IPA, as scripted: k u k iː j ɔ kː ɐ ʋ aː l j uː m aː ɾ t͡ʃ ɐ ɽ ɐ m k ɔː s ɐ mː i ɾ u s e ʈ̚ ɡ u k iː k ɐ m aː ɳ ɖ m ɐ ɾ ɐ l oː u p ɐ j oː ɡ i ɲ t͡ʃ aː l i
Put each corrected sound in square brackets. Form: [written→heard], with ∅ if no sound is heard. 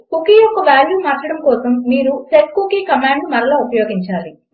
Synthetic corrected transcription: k u k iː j ɔ kː ɐ ʋ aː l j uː m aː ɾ t͡ʃ ɐ ɽ ɐ m k ɔː s ɐ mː [i→iː] ɾ u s e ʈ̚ [ɡ→k] u k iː k ɐ m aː ɳ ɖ m ɐ ɾ ɐ l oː u p ɐ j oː ɡ i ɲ t͡ʃ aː l i